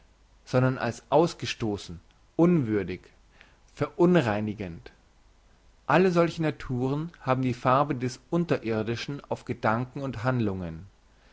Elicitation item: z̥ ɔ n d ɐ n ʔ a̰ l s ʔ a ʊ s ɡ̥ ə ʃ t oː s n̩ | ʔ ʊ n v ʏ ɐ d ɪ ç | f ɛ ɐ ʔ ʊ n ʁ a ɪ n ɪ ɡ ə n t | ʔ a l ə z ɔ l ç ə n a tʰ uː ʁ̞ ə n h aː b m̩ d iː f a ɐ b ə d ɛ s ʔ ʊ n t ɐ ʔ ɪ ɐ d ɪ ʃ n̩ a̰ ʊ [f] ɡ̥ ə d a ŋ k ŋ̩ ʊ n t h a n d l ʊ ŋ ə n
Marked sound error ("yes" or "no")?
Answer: no